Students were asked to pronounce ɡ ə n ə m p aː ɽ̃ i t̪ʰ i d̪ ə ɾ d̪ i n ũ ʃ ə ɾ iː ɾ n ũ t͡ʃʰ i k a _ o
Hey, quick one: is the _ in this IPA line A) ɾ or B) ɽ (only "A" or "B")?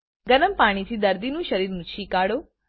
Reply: B